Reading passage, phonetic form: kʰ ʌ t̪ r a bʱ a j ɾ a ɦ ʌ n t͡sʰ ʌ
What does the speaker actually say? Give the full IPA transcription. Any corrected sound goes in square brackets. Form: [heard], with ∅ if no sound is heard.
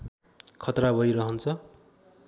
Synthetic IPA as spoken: kʰ ʌ t̪ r a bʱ [ʌ] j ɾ [ʌ] ɦ ʌ n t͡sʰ ʌ